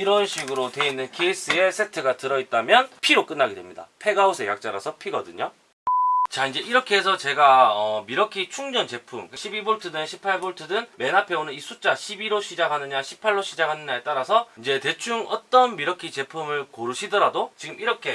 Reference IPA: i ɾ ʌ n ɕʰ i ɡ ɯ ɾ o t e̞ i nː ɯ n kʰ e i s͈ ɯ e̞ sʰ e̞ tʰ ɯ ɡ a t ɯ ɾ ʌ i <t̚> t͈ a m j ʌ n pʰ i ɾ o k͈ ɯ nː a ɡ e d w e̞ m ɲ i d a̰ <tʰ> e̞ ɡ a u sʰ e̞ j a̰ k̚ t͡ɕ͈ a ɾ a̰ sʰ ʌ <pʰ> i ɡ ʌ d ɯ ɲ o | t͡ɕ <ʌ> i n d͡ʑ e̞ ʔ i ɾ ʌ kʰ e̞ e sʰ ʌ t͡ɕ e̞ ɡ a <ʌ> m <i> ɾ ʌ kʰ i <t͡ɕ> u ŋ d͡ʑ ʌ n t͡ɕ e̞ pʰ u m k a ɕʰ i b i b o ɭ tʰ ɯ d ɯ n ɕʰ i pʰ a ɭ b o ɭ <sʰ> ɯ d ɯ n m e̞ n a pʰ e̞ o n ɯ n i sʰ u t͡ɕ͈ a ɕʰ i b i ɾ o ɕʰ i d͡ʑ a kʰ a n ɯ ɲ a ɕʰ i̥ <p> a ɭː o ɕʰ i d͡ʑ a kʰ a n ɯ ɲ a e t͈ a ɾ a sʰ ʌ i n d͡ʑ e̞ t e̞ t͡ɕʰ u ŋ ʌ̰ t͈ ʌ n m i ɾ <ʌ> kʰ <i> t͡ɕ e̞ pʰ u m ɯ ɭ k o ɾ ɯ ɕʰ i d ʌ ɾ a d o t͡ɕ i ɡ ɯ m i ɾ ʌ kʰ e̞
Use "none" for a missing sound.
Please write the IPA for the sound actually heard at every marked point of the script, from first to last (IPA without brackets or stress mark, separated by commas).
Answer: t̚, pʰ, pʰ, a, ʌ, i, t͡ɕʰ, tʰ, pʰ, ʌ, i